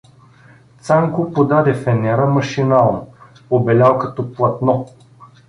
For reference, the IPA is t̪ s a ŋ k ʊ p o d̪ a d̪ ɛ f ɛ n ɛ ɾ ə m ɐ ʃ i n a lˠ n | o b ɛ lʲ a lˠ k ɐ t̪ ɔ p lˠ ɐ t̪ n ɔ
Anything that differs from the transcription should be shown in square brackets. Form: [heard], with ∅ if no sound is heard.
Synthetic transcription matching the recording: t̪ s a ŋ k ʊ p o d̪ a d̪ ɛ f ɛ n ɛ ɾ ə m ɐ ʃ i n a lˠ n | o b ɛ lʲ a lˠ k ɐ t̪ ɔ p lˠ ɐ t̪ n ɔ